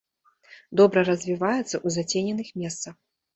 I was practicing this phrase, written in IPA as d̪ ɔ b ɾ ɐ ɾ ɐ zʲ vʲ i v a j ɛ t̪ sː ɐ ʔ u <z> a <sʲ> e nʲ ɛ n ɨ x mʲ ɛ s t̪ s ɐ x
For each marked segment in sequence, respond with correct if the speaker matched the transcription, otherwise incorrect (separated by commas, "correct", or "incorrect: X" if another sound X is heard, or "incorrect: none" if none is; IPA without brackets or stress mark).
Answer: correct, incorrect: t͡sʲ